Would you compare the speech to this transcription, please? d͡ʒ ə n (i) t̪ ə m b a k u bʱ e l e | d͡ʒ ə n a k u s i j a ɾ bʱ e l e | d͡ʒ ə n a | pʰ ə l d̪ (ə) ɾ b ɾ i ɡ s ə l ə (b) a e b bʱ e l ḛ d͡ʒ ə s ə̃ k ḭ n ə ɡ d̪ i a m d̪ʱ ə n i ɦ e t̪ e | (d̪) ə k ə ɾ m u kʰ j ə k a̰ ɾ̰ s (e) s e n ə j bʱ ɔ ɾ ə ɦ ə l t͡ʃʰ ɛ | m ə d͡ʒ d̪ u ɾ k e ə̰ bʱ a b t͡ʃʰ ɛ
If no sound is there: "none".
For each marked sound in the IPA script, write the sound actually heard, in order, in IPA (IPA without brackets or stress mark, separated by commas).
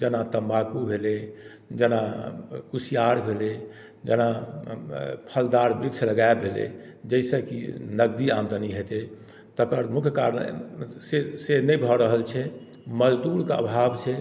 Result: a, a, ɡ, t̪, e